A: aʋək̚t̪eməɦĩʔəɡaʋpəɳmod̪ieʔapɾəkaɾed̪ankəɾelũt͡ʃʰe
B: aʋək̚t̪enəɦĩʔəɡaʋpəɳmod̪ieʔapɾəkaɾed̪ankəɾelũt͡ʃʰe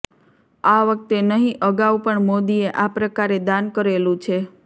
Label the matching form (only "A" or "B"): B